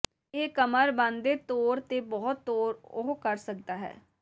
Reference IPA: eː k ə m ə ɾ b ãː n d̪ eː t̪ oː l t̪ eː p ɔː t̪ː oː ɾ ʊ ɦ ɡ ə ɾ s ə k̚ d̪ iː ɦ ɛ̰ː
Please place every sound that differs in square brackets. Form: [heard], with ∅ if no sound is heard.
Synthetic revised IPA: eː k ə m ə ɾ b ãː n d̪ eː t̪ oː [ɾ] t̪ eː [b] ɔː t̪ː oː ɾ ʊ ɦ [k] ə ɾ s ə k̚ d̪ [aː] ɦ ɛ̰ː